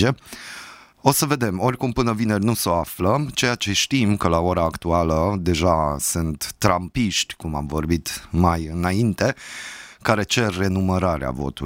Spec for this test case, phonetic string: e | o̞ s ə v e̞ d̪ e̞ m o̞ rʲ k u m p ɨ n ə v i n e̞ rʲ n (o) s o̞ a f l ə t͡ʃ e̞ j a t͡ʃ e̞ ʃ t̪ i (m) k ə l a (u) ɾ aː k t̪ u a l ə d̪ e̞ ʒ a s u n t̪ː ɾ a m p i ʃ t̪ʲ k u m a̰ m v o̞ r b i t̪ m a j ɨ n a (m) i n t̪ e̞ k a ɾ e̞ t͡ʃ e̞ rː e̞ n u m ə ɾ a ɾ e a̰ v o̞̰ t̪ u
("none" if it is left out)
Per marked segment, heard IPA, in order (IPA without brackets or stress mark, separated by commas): u, m, o, none